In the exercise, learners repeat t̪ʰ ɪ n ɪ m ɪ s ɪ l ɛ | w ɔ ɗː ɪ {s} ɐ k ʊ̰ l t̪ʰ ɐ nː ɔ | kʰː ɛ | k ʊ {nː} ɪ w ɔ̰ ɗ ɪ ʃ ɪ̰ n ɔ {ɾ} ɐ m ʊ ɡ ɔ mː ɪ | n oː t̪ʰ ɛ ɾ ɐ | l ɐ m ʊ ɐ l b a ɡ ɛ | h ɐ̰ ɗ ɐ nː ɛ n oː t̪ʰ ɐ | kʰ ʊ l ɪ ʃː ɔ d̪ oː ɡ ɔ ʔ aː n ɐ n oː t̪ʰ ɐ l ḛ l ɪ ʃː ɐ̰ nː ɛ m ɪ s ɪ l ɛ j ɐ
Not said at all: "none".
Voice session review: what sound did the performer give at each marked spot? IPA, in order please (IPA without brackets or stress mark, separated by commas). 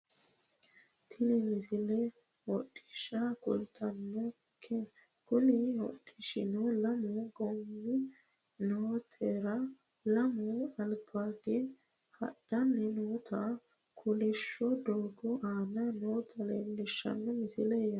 ʃ, n, l